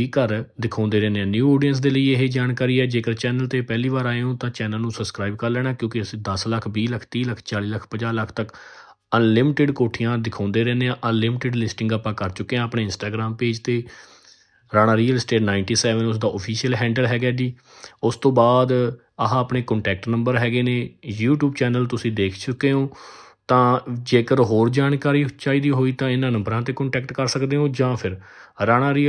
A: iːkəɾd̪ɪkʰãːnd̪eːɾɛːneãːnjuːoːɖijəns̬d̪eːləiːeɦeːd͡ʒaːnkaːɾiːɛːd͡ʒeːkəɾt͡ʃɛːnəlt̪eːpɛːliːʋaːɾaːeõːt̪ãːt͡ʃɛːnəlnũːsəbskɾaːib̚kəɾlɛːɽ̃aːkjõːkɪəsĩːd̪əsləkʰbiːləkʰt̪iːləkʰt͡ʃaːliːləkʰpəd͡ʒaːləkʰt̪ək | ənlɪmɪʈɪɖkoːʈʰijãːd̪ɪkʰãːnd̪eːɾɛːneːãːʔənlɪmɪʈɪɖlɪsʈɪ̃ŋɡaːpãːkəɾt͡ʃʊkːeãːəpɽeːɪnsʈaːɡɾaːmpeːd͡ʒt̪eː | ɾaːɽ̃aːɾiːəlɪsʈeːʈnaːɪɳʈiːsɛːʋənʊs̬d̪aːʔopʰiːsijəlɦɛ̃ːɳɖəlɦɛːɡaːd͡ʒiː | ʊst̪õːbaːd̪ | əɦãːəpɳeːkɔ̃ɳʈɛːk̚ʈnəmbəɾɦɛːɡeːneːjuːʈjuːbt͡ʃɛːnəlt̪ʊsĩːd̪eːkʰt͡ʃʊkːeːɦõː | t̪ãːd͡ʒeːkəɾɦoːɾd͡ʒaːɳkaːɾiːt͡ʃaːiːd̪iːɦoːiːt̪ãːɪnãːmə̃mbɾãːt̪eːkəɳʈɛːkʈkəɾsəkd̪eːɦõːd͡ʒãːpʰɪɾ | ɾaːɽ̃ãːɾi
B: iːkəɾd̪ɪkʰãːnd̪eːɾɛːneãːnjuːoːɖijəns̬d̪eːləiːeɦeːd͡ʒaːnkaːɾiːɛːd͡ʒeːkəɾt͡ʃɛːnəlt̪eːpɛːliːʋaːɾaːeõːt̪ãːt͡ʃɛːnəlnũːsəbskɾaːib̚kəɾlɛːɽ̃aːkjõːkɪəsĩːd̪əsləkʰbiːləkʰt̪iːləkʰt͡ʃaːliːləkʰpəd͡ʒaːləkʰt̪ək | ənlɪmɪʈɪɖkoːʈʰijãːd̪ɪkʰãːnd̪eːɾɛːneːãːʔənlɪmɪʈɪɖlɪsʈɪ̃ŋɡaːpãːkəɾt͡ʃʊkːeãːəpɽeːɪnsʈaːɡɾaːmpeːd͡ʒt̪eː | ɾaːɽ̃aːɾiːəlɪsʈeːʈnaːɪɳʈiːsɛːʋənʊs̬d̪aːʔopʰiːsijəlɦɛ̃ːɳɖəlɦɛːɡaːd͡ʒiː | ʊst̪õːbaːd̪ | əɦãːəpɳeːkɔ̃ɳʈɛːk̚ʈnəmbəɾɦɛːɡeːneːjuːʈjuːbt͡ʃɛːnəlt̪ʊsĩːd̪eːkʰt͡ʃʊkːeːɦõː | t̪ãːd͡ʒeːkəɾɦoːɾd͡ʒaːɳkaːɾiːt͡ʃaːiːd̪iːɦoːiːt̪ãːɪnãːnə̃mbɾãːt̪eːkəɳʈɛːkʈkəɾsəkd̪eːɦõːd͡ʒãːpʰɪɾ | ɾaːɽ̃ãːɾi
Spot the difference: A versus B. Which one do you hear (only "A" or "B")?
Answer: B